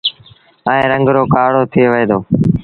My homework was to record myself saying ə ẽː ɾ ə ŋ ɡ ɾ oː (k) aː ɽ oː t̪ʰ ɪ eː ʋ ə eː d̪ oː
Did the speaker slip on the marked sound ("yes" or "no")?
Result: no